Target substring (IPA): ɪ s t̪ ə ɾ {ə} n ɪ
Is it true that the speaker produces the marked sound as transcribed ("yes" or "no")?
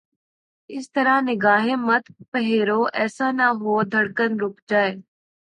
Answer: no